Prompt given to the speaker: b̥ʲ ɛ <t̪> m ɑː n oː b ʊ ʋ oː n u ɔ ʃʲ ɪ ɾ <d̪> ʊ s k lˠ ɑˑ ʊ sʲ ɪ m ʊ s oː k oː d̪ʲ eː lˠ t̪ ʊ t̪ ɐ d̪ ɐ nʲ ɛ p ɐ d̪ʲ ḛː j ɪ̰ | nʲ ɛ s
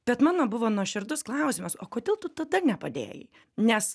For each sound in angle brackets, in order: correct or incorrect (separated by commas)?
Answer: correct, correct